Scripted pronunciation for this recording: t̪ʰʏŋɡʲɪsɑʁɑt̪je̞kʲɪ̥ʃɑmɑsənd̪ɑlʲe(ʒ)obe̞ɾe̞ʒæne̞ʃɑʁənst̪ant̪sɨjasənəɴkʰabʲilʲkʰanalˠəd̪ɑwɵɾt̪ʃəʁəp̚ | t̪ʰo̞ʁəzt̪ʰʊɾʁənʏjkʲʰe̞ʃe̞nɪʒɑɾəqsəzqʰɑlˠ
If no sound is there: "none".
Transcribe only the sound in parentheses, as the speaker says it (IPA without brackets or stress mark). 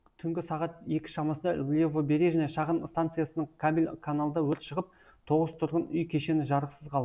v